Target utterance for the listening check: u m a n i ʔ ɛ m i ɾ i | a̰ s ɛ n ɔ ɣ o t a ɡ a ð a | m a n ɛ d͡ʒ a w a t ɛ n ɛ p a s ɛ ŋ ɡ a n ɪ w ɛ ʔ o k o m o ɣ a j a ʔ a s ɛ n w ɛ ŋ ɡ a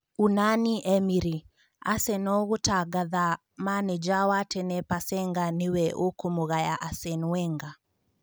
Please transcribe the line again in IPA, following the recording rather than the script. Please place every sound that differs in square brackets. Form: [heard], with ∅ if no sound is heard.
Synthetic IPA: u [n] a n i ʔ ɛ m i ɾ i | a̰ s ɛ n ɔ ɣ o t a ɡ a ð a | m a n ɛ d͡ʒ a w a t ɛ n ɛ p a s ɛ ŋ ɡ a n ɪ w ɛ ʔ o k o m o ɣ a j a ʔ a s ɛ n w ɛ ŋ ɡ a

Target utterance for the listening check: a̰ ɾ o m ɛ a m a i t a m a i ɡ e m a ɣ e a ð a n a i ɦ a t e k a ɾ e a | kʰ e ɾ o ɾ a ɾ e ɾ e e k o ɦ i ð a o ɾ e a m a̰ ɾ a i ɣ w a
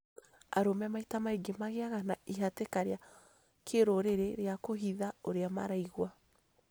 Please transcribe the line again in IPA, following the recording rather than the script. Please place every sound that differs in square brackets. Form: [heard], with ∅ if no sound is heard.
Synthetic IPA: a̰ ɾ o m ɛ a m a i t a m a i ɡ e m a ɣ e a [ɣ] a n a i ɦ a t e k a ɾ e a | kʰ e ɾ o ɾ [e] ɾ e ɾ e [a] k o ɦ i ð a o ɾ e a m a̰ ɾ a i ɣ w a

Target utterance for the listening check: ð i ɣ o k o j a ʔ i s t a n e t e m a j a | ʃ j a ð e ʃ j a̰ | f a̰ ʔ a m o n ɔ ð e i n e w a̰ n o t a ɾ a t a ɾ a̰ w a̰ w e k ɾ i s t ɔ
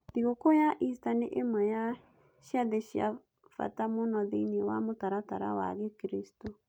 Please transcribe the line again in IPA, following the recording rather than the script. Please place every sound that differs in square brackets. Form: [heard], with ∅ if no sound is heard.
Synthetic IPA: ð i ɣ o k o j a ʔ i s t a n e [ʔ] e m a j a | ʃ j a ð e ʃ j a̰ | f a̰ [t] a m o n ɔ ð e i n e w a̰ [m] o t a ɾ a t a ɾ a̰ w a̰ [ɣ] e k ɾ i s t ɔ

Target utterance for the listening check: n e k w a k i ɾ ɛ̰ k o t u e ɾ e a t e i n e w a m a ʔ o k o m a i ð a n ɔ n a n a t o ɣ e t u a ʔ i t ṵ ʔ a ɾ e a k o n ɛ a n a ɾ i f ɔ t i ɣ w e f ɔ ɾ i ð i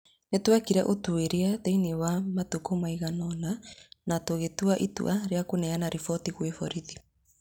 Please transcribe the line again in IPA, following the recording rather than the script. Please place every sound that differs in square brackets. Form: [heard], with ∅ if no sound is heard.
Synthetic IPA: n e [t] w a k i ɾ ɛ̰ [ʔ] o t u e ɾ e a t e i n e w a m a [t] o k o m a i [ɣ] a n ɔ n a n a t o ɣ e t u a ʔ i t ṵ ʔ a ɾ e a k o n ɛ a n a ɾ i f ɔ t i ɣ w e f ɔ ɾ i ð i

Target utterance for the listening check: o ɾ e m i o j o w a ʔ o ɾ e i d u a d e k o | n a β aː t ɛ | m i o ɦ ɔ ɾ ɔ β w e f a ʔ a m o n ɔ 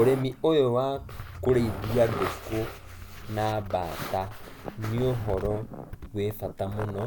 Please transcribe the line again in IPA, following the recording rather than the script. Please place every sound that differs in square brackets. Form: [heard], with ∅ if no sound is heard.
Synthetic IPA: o ɾ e m i o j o w a [k] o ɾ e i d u a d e k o | n a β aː t [a] | [n] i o ɦ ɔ ɾ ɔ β w e f a [t] a m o n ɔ

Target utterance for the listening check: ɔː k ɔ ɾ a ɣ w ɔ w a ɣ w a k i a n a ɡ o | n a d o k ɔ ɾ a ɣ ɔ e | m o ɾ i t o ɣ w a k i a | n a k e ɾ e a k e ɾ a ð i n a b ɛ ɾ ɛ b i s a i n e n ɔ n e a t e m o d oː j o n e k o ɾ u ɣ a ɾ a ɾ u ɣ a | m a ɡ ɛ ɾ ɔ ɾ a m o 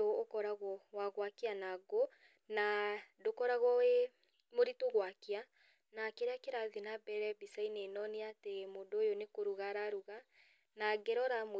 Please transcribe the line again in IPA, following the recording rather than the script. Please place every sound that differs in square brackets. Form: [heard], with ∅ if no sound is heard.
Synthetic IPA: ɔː k ɔ ɾ a ɣ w ɔ w a ɣ w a k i a n a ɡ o | n a d o k ɔ ɾ a ɣ ɔ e | m o ɾ i t o ɣ w a k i a | n a k e ɾ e a k e ɾ a ð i n a b ɛ ɾ ɛ b i s a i n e n ɔ n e a t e m o d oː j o n e k o ɾ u ɣ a ɾ a ɾ u ɣ a | [n] a ɡ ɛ ɾ ɔ ɾ a m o

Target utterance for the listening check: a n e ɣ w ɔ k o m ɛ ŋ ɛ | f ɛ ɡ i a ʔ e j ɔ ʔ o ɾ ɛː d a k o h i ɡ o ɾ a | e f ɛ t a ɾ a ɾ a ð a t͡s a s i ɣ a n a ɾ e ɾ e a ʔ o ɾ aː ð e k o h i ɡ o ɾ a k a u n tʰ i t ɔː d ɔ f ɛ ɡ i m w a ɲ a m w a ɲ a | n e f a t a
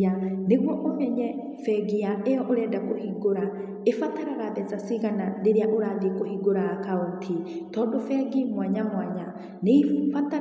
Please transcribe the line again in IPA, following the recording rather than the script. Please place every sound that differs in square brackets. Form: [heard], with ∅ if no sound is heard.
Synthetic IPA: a n e ɣ w ɔ [ʔ] o m ɛ [ɲ] ɛ | f ɛ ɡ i a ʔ e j ɔ ʔ o ɾ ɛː d a k o h i ɡ o ɾ a | e f [a] t a ɾ a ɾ a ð [ɛ] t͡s a s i ɣ a n a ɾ e ɾ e a ʔ o ɾ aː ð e k o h i ɡ o ɾ a k a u n tʰ i t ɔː d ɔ f ɛ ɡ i m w a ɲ a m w a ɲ a | n e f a t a

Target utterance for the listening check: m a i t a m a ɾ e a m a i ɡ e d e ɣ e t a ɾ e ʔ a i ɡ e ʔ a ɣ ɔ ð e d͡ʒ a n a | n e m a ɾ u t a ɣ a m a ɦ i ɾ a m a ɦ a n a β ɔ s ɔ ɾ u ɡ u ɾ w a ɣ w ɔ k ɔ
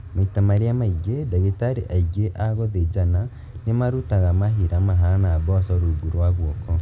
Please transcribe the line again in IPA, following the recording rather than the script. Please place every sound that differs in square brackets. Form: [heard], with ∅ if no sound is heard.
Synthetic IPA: m a i t a m a ɾ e a m a i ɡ e d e ɣ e t a ɾ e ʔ a i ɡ e ʔ a ɣ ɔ ð e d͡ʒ a n a | n e m a ɾ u t a ɣ a m a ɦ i ɾ a m a ɦ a n a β ɔ s ɔ ɾ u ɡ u ɾ w a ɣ w ɔ k ɔ

